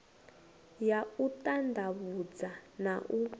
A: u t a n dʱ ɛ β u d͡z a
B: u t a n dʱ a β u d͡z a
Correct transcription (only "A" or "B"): B